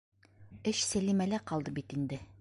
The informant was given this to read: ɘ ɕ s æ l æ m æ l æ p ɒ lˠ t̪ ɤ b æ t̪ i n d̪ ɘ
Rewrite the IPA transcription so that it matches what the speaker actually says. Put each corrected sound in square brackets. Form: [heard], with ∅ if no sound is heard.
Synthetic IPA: ɘ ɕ s æ l [i] m æ l æ [q] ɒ lˠ [d̪] ɤ b [i] t̪ i n d̪ ɘ

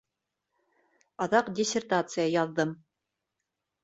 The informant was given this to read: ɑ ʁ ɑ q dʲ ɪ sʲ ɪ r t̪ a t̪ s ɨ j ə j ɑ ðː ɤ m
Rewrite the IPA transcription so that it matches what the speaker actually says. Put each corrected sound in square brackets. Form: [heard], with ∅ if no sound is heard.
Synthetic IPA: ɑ [ð] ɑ q dʲ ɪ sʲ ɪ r t̪ a t̪ s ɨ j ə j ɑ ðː ɤ m

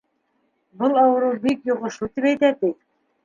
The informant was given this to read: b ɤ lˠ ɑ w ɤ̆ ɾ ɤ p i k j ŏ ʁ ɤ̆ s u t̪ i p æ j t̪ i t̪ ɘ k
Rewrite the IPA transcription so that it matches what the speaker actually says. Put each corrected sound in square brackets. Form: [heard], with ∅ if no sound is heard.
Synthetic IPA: b ɤ lˠ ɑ w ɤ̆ ɾ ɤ [b] i k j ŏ ʁ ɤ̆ [ʃ] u t̪ i p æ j t̪ [æ] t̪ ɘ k

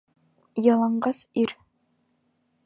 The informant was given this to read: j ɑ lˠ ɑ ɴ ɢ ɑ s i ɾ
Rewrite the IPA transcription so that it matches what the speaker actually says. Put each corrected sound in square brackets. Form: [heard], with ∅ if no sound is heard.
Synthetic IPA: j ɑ lˠ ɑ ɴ ɢ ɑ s i ɾ

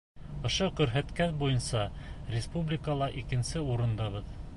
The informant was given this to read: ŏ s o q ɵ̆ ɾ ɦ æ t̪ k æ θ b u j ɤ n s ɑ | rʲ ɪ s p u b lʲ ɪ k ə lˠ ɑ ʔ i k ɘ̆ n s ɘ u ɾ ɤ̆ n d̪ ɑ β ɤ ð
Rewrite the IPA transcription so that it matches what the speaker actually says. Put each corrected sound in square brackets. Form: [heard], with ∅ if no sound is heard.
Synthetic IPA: ŏ [ʃ] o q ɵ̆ ɾ ɦ æ t̪ k æ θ b u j ɤ n s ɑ | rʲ ɪ s p u b lʲ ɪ k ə lˠ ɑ ʔ i k ɘ̆ n s ɘ u ɾ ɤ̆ n d̪ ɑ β ɤ ð

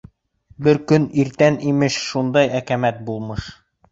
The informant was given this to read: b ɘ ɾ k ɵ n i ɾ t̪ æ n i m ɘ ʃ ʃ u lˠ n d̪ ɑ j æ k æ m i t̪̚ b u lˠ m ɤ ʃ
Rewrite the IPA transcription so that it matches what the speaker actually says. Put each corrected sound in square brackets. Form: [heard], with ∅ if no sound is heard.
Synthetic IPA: b ɘ ɾ k ɵ n i ɾ t̪ æ n i m ɘ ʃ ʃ u [∅] n d̪ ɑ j æ k æ m [æ] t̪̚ b u lˠ m ɤ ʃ

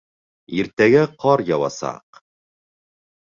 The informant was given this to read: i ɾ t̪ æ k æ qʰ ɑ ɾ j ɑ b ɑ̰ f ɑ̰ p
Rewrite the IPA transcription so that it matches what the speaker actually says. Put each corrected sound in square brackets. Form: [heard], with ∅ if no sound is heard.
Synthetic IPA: i ɾ t̪ æ [ɡ] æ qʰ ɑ ɾ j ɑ [w] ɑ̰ [s] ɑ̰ [q]

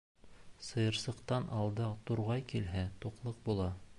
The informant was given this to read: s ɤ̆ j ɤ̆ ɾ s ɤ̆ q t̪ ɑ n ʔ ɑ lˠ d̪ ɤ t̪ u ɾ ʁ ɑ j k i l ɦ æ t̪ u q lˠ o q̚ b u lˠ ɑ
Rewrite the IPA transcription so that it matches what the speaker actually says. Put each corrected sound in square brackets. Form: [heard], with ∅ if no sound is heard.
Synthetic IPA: s ɤ̆ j ɤ̆ ɾ s ɤ̆ q t̪ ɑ n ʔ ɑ lˠ d̪ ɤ t̪ u ɾ ʁ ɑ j k i l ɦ æ t̪ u q lˠ [ɤ] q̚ b u lˠ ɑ

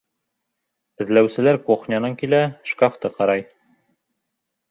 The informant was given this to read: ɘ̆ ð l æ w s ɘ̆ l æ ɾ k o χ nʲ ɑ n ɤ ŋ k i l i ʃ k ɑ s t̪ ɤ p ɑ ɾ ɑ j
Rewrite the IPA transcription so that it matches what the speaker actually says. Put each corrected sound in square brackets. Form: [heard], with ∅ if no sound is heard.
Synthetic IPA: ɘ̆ ð l æ w s ɘ̆ l æ ɾ k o χ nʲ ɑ n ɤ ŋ k i l [æ] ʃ k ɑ [f] t̪ ɤ [q] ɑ ɾ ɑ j

